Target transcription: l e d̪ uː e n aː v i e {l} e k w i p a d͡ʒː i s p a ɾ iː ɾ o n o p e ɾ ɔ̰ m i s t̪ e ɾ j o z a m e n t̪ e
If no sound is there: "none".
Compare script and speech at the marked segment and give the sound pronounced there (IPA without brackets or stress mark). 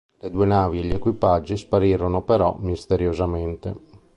ʎ